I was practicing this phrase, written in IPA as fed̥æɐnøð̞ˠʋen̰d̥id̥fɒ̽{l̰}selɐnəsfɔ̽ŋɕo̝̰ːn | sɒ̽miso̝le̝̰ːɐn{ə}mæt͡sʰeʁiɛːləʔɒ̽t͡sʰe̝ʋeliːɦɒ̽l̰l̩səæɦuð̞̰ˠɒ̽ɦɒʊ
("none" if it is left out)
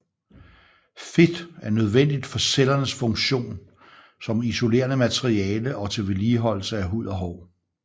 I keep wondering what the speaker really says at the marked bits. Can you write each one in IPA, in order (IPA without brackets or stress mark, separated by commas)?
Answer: none, ə